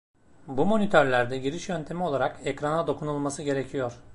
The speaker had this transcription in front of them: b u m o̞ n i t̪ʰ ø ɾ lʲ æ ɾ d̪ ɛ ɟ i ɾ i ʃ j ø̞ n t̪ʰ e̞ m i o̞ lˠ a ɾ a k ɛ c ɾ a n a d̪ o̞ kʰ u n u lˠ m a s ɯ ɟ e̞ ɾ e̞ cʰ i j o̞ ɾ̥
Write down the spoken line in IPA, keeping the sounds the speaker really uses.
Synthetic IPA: b u m o̞ n i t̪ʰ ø ɾ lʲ æ ɾ d̪ ɛ ɟ i ɾ i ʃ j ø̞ n t̪ʰ e̞ m i o̞ lˠ a ɾ a k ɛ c ɾ a n a d̪ o̞ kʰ u n u lˠ m a s ɯ ɟ e̞ ɾ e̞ cʰ i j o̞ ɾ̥